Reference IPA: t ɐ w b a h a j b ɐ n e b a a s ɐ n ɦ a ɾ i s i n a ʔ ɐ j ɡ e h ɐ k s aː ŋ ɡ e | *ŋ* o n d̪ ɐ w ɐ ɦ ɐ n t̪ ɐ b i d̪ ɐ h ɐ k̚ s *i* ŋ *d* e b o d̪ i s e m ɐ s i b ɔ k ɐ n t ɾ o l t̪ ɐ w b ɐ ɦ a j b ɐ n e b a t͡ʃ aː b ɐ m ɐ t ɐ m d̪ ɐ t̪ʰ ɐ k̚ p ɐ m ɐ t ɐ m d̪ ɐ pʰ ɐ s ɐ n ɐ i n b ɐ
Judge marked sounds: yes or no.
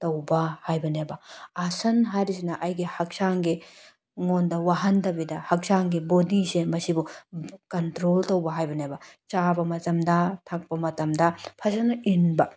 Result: yes, no, no

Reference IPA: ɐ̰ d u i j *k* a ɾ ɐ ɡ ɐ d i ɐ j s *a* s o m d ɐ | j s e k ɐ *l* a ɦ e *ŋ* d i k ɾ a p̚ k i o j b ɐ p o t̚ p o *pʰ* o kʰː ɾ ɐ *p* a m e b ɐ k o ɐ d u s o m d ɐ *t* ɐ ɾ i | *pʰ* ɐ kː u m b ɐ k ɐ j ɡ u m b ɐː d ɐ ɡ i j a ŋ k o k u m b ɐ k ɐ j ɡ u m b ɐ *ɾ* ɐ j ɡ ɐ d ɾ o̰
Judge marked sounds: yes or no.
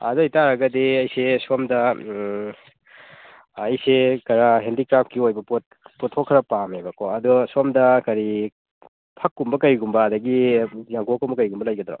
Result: no, no, no, no, no, yes, no, yes, no

